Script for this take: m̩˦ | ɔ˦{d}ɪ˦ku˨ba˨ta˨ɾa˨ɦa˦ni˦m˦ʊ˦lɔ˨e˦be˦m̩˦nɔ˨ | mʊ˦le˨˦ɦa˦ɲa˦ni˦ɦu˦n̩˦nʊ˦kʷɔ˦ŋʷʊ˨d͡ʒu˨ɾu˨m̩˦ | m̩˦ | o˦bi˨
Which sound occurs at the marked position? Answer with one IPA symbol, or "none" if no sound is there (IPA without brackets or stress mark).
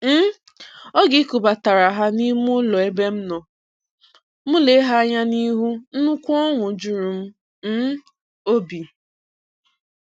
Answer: ɡ